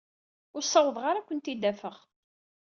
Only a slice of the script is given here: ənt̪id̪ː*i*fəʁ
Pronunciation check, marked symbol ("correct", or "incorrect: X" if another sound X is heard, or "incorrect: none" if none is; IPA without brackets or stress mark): incorrect: æ